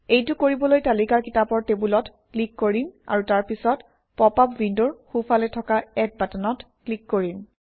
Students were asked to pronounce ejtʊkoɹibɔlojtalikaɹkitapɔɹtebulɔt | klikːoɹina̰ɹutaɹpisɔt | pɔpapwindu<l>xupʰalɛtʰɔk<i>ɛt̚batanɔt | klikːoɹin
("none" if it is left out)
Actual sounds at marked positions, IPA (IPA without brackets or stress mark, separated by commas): ɹ, a